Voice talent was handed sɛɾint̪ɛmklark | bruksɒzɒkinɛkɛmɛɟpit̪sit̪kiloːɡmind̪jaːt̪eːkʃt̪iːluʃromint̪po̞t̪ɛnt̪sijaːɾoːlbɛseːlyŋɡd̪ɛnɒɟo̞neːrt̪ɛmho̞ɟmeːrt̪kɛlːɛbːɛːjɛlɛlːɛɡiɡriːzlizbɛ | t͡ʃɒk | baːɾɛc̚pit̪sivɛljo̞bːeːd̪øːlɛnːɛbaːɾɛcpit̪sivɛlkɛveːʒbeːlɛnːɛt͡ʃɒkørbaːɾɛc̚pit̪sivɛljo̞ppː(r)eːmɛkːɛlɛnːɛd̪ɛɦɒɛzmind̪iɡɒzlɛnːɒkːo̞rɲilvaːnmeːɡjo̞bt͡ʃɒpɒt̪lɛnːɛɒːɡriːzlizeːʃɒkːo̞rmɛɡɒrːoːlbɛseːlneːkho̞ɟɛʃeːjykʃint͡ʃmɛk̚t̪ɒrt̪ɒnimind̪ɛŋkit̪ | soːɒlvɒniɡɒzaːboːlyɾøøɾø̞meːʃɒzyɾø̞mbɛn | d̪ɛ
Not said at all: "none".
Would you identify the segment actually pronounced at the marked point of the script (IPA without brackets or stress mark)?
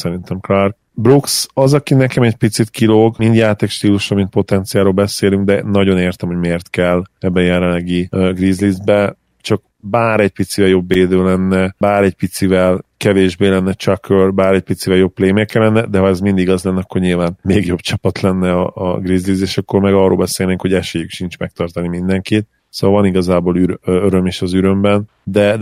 l